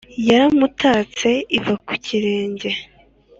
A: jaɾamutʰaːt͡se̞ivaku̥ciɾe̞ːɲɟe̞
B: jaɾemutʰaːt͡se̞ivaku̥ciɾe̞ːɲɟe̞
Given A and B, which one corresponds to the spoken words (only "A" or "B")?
A